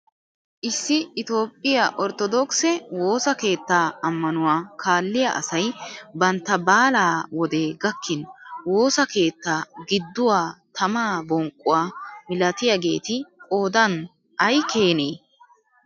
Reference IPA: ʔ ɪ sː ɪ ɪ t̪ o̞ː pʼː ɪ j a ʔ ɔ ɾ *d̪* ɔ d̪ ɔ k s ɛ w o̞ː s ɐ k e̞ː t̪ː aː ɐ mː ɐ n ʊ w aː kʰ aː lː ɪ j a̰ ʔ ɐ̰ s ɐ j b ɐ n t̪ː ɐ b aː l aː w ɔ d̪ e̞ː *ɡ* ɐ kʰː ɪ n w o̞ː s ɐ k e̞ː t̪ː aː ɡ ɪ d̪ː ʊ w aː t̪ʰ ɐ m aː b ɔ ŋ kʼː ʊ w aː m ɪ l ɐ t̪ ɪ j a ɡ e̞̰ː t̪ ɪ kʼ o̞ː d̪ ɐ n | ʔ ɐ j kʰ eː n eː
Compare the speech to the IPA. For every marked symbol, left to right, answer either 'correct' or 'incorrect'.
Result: incorrect: t̪, correct

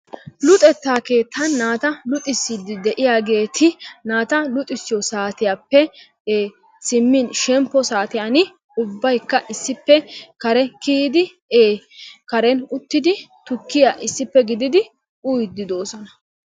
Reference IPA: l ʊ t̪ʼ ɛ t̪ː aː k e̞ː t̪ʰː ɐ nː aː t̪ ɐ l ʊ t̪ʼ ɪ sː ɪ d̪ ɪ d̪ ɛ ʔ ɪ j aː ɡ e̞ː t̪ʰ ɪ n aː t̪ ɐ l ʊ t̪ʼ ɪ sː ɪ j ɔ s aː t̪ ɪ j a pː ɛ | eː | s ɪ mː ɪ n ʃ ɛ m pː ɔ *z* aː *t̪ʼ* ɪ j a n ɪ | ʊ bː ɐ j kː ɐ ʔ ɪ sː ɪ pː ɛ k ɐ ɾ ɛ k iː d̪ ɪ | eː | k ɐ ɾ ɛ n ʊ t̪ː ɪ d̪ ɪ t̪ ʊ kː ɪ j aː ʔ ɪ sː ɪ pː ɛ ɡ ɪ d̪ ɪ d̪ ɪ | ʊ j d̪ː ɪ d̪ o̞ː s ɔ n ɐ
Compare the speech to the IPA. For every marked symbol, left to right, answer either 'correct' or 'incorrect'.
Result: incorrect: s, incorrect: t̪

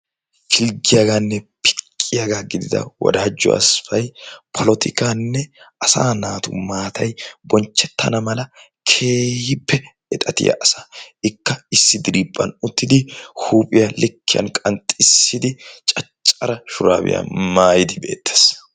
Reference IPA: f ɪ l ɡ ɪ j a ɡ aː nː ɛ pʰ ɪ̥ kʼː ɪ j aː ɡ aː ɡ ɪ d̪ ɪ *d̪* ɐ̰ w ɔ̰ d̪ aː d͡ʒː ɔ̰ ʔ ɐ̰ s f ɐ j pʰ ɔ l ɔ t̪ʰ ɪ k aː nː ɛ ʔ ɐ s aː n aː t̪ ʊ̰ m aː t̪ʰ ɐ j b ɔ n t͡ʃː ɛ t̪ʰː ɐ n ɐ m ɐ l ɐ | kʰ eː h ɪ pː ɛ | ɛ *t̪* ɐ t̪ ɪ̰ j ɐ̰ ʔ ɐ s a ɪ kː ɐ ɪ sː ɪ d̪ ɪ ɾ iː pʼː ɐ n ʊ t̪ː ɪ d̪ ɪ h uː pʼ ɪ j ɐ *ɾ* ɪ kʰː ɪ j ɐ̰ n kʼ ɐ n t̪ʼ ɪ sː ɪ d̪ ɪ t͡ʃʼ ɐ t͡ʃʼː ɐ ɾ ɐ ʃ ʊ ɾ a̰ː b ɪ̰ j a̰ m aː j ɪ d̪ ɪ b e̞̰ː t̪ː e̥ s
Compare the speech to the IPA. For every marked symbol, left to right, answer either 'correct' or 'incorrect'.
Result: correct, incorrect: t̪ʼ, incorrect: l

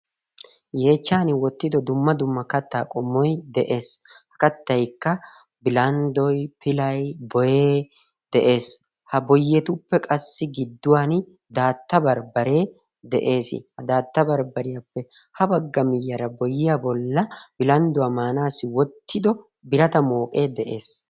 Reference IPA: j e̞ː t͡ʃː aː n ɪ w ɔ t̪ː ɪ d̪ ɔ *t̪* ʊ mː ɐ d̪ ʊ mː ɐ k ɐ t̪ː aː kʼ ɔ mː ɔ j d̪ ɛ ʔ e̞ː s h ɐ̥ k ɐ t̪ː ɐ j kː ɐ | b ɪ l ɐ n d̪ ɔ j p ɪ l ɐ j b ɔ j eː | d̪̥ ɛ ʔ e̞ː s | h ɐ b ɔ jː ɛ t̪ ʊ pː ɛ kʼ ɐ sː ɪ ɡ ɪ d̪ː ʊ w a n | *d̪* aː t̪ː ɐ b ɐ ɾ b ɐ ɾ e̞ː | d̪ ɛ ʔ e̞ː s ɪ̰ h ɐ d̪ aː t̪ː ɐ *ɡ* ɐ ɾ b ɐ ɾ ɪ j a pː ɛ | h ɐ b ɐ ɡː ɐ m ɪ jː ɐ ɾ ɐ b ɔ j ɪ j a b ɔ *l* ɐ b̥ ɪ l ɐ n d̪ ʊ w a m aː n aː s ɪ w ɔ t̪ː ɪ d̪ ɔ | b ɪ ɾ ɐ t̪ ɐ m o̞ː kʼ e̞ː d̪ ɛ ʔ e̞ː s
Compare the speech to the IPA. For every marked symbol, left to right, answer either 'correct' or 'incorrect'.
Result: incorrect: d̪, correct, incorrect: b, incorrect: lː

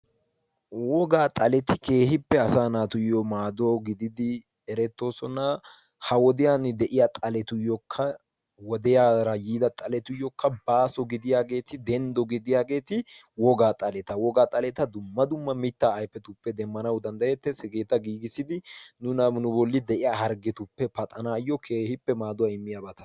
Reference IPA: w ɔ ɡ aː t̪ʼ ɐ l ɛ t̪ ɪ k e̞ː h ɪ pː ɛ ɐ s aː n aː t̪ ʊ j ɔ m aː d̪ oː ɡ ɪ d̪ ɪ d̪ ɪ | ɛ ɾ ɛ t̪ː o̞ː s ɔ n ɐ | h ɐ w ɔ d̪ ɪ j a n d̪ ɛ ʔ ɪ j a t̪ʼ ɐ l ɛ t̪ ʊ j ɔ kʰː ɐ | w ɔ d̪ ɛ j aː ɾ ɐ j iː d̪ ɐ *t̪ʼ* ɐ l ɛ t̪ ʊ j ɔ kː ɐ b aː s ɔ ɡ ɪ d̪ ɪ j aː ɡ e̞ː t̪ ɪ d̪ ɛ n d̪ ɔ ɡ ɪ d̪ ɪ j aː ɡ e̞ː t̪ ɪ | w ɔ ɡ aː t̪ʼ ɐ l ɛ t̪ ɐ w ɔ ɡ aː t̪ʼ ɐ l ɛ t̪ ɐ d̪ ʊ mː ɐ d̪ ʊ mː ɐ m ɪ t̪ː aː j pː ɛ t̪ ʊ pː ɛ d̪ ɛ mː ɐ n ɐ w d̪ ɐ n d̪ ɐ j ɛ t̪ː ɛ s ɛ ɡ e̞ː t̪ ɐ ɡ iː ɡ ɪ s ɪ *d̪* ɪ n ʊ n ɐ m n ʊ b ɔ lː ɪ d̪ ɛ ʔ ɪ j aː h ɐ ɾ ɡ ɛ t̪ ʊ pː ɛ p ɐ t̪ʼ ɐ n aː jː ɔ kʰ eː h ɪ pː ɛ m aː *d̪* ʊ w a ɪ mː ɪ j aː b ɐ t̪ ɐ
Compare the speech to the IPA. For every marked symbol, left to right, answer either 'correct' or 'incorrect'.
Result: correct, correct, correct

